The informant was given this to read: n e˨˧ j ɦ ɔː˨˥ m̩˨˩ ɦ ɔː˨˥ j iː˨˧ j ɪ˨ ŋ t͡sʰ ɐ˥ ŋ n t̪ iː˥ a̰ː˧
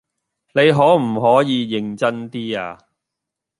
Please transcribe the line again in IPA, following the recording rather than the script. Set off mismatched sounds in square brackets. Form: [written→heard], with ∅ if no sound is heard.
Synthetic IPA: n e˨˧ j ɦ ɔː˨˥ m̩˨˩ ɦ ɔː˨˥ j iː˨˧ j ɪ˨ ŋ [t͡sʰ→t͡s] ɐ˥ [ŋ→∅] n t̪ iː˥ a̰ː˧